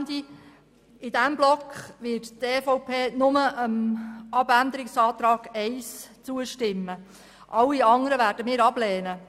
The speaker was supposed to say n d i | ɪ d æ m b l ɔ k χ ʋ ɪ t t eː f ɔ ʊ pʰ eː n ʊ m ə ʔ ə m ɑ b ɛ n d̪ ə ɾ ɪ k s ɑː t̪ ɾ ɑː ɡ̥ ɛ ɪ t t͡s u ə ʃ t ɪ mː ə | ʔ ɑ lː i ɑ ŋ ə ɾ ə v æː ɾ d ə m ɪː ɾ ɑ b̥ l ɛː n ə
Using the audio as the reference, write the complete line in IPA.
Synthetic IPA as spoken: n d i | ɪ d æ m b l ɔ k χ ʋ ɪ t t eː f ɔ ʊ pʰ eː n ʊ m ə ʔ ə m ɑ b æ n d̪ ə ɾ ɪ k s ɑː t̪ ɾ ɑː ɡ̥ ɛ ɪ s t͡s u ə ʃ t ɪ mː ə | ʔ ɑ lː i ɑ ŋ ə ɾ ə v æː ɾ d ə m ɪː ɾ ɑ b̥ l ɛː n ə